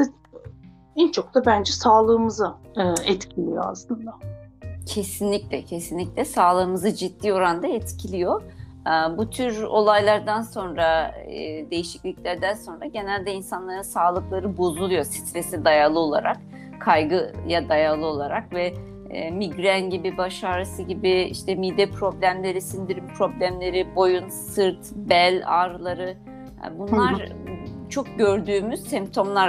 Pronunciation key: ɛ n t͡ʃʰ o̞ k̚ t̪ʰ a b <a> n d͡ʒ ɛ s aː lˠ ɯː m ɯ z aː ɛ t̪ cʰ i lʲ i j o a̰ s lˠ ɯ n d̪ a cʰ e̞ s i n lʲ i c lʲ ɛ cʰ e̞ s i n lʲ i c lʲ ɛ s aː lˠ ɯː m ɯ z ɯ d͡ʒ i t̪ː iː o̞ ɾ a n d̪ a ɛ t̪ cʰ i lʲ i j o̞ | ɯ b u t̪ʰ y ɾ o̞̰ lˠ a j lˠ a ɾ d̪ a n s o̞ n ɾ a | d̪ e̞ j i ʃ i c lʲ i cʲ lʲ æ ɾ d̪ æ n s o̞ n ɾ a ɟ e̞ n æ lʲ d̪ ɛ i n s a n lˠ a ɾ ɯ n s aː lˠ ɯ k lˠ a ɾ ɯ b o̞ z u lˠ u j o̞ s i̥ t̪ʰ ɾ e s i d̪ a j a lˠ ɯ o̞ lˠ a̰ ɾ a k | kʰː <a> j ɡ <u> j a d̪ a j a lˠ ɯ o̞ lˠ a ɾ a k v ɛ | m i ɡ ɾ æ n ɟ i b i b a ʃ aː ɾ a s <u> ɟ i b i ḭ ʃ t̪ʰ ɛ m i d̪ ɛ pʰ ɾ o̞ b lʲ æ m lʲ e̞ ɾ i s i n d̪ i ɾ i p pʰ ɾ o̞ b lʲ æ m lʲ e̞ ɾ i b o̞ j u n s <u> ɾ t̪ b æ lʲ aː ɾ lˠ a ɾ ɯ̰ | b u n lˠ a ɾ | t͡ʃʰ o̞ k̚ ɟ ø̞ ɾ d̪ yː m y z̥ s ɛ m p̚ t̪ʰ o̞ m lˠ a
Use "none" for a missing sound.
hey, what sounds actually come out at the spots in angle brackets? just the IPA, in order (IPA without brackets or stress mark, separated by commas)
æ, a, ɯ, ɯ, ɯ